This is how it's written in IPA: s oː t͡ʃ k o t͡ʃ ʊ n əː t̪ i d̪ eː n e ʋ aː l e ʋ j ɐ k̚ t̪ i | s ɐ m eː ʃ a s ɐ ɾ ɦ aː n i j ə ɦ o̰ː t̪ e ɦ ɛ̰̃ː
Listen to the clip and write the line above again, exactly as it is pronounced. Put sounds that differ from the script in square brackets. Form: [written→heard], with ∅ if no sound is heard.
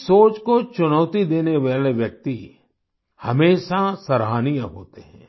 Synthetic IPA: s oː t͡ʃ k o t͡ʃ ʊ n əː t̪ i d̪ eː n e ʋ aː l e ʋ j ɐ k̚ t̪ i | [s→h] ɐ m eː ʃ a s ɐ ɾ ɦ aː n i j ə ɦ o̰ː t̪ e ɦ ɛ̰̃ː